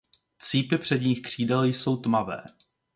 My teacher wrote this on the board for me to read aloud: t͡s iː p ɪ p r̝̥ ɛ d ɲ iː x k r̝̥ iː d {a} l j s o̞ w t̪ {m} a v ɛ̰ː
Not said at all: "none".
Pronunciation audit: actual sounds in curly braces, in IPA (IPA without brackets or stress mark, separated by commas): ɛ, m